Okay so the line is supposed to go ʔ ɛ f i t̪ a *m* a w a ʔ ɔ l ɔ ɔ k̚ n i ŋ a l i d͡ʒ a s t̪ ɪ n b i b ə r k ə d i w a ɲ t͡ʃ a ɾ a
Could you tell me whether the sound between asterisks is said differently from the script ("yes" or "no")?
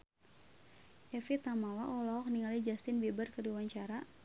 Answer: no